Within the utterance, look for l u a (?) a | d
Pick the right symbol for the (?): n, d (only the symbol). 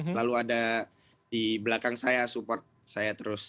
d